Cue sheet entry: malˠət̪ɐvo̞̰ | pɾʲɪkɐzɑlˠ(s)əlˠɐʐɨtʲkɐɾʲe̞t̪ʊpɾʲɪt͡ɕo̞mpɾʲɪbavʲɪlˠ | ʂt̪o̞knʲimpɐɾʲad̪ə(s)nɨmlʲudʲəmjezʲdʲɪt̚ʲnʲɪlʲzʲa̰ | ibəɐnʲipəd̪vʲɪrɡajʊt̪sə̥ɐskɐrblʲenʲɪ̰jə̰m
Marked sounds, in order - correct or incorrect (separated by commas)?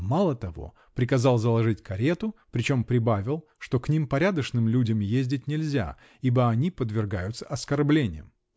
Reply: incorrect, incorrect